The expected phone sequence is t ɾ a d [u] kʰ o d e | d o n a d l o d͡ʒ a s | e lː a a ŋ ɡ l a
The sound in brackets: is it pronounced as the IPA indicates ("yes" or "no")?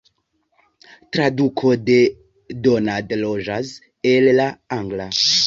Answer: yes